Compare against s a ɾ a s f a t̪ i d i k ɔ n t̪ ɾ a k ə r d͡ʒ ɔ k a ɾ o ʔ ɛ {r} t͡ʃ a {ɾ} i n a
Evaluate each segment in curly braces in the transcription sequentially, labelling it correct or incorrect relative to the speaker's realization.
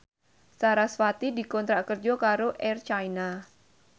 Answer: correct, incorrect: none

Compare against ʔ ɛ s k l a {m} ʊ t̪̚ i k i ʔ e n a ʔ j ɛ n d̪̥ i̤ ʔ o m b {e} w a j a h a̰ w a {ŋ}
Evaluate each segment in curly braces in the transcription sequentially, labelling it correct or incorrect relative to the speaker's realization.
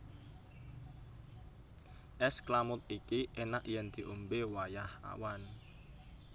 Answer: correct, correct, incorrect: n

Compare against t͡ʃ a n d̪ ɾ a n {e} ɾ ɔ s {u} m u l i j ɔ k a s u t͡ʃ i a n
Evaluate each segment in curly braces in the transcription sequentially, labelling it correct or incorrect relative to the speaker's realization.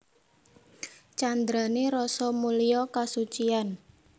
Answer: correct, incorrect: ɔ

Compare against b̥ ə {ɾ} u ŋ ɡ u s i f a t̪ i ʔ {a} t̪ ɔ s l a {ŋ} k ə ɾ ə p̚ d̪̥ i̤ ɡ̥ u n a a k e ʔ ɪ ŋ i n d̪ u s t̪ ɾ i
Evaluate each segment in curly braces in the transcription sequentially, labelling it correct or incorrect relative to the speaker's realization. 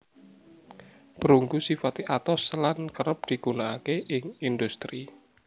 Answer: correct, correct, incorrect: n

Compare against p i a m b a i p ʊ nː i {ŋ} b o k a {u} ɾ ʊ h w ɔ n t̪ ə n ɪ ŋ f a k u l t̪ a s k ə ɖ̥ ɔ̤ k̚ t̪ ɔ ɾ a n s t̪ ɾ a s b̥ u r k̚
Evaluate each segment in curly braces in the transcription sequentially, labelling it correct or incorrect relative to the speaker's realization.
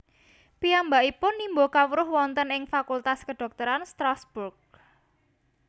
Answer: incorrect: m, incorrect: w

